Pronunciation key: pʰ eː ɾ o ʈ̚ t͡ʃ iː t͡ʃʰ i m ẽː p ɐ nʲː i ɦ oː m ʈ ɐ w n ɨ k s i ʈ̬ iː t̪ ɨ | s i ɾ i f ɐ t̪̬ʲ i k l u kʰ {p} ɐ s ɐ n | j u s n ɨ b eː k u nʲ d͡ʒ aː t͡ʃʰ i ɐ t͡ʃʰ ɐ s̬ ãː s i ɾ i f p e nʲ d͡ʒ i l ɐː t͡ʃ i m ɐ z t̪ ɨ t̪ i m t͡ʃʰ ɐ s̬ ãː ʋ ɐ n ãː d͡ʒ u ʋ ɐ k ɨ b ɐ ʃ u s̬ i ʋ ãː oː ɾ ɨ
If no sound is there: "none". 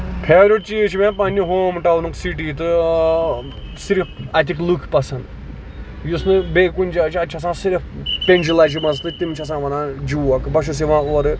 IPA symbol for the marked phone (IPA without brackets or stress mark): p